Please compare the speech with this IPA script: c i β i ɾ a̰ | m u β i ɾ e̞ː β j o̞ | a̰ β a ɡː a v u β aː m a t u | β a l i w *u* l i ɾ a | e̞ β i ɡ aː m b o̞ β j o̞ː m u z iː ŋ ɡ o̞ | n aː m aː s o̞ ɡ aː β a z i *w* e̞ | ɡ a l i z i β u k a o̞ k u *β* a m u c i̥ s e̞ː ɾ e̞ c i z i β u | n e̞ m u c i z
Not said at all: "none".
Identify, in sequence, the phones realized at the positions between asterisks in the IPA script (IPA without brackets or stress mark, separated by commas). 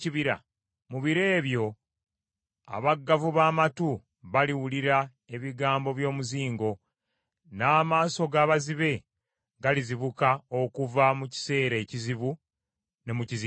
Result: u, β, v